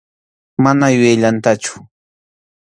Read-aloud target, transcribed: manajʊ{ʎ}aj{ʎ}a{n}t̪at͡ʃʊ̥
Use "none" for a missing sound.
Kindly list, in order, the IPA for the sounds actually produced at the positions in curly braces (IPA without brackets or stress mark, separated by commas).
j, ʎ, n